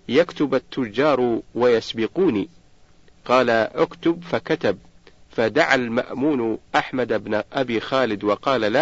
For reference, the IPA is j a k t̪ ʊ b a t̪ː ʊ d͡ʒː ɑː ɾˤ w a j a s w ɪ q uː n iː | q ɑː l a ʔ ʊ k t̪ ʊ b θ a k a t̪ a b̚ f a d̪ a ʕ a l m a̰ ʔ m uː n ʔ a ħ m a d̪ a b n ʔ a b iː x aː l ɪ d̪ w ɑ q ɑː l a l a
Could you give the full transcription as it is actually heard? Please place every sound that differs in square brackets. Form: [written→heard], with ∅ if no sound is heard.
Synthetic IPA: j a k t̪ ʊ b a t̪ː ʊ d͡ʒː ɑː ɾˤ w a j a s [w→b] ɪ q uː n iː | q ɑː l a ʔ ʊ k t̪ ʊ b [θ→f] a k a t̪ a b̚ f a d̪ a ʕ a l m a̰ ʔ m uː n ʔ a ħ m a d̪ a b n ʔ a b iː x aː l ɪ d̪ w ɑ q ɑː l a l a